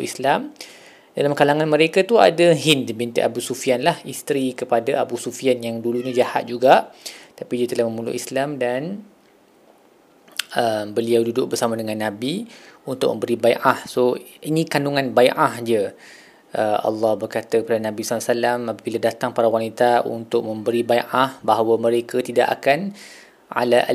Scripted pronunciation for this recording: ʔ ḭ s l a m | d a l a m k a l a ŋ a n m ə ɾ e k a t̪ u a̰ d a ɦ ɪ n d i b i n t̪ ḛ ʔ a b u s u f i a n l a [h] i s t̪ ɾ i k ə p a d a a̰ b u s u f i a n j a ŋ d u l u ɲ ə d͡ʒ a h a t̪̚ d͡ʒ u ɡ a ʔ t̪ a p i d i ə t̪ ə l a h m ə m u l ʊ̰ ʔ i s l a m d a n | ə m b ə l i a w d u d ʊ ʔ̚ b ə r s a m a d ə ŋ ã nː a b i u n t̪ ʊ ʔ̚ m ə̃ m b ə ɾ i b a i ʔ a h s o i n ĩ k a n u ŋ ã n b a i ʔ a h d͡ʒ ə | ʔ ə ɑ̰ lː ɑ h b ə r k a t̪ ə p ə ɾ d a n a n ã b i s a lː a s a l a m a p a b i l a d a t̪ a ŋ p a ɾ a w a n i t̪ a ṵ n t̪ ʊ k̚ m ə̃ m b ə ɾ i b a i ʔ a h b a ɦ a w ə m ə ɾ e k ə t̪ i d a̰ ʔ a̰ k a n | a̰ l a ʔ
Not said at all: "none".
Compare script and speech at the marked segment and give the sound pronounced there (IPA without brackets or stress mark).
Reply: h